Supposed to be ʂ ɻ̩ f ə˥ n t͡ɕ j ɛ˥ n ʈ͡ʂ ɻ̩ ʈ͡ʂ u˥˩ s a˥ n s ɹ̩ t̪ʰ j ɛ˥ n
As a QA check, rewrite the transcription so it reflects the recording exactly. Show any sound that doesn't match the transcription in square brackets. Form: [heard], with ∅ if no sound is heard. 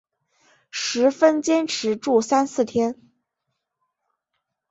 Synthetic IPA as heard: ʂ ɻ̩ f ə˥ n t͡ɕ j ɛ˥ n [ʈ͡ʂʰ] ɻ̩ ʈ͡ʂ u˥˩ s a˥ n s ɹ̩ t̪ʰ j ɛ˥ n